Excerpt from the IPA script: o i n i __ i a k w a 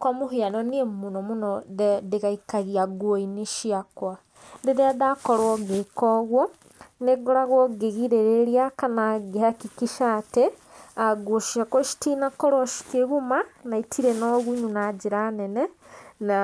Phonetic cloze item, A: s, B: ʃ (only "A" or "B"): B